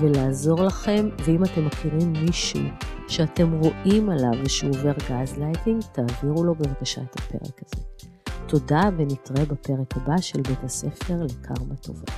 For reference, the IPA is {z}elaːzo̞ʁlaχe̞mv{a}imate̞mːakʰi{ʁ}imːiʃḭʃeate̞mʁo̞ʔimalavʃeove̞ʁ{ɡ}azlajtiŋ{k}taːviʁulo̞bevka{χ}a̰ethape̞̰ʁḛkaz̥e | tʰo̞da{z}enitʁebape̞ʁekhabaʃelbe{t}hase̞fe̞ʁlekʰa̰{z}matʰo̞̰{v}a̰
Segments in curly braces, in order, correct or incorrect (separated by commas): incorrect, incorrect, correct, correct, incorrect, incorrect, incorrect, correct, incorrect, correct